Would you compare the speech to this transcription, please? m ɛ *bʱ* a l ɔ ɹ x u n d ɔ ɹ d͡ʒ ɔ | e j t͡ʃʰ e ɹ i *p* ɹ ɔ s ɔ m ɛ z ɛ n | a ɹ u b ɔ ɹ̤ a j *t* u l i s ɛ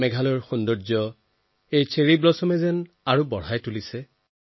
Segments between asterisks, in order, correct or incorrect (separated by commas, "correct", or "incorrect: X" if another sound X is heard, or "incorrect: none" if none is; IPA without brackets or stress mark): incorrect: ɡʱ, incorrect: b, correct